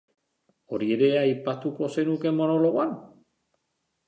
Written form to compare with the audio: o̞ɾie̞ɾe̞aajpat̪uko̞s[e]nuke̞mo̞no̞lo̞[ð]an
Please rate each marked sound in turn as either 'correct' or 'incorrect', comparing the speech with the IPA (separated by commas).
correct, incorrect